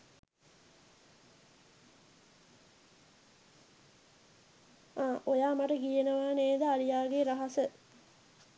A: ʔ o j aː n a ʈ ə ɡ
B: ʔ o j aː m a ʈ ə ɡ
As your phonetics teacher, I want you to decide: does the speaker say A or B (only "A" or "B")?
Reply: B